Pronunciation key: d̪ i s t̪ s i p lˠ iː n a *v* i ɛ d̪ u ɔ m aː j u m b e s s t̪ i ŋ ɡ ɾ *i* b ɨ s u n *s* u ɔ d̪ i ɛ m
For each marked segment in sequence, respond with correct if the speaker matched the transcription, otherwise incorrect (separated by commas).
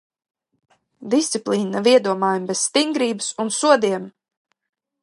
correct, incorrect, correct